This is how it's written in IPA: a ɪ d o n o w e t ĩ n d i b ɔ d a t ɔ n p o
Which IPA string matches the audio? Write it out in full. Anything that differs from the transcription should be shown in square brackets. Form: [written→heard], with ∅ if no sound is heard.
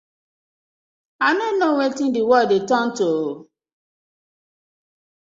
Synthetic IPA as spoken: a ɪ [d→n] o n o w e t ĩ n d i [b→w] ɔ d [a→e] t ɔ n [p→t] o